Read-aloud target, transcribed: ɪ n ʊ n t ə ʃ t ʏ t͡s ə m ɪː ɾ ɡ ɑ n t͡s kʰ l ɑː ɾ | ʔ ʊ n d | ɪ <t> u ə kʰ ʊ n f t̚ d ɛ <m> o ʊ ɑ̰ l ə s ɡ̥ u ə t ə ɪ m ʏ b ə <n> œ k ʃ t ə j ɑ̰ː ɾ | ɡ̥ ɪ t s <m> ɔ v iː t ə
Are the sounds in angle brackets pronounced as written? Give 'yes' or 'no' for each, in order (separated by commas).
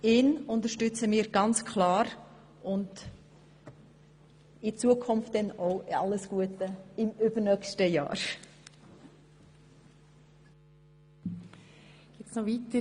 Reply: no, no, yes, no